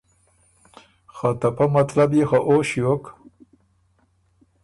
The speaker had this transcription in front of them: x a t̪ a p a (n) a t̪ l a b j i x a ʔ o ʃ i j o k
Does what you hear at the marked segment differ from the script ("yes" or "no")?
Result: yes